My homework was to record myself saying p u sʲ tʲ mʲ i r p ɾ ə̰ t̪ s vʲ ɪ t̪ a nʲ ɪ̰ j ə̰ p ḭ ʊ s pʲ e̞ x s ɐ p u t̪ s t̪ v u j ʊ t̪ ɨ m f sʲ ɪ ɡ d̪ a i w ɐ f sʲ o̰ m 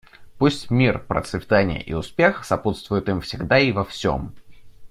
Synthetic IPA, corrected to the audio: p u sʲ tʲ mʲ i r p ɾ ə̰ t̪ s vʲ ɪ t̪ a nʲ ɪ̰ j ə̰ ʔ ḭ ʊ s pʲ e̞ x s ɐ p u t̪ s t̪ v ʊ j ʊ t̪ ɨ m f sʲ ɪ ɡ d̪ a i v ɐ f sʲ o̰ m

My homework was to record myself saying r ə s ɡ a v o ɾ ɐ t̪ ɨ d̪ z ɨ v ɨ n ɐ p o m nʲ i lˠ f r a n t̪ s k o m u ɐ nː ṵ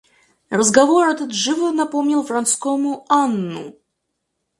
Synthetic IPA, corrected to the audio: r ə z ɡ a v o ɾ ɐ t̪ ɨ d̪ ʐ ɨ v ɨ n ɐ p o m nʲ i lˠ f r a n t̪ s k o m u a nː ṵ

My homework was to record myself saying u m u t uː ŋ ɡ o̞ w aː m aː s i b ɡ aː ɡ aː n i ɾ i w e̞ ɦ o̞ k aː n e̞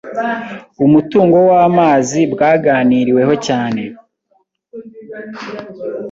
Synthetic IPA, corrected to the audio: u m u t uː ŋ ɡ o̞ w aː m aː z i b ɡ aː ɡ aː n i ɾ i w e̞ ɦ o̞ c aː n e̞

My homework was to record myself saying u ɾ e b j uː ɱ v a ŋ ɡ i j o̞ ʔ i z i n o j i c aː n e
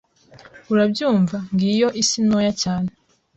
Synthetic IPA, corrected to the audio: u ɾ a b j uː ɱ v a ŋ ɡ i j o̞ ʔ i s i n o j a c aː n e

